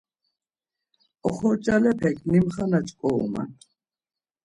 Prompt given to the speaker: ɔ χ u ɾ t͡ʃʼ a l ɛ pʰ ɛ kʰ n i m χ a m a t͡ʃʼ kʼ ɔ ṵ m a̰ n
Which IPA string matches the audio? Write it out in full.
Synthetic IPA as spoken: ɔ χ ɔ ɾ t͡ʃʼ a l ɛ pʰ ɛ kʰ n i m χ a n a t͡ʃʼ kʼ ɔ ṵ m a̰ n